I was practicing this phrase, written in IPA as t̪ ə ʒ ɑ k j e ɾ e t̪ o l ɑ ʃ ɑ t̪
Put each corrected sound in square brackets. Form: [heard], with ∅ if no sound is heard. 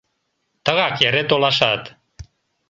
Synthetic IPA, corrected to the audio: t̪ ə [ɣ] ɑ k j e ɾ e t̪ o l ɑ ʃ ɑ t̪